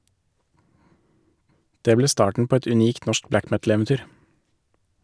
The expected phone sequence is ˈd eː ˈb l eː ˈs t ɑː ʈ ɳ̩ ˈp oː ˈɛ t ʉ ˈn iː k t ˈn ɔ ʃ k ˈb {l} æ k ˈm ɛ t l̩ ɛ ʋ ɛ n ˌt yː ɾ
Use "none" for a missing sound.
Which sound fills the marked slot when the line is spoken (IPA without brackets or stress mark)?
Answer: l